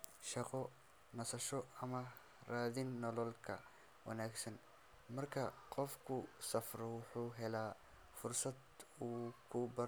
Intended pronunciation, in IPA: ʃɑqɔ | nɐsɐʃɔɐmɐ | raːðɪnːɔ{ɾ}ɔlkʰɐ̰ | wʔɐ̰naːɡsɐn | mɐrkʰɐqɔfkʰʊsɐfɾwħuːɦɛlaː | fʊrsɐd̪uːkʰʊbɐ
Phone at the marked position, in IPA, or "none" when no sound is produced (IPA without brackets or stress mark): l